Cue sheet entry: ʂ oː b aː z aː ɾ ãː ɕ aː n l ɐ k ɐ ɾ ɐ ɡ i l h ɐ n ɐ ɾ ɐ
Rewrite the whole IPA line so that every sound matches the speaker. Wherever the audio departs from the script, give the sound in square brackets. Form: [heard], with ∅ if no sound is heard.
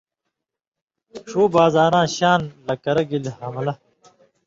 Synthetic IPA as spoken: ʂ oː b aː z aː ɾ ãː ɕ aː n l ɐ k ɐ ɾ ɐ ɡ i l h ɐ [m] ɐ [l] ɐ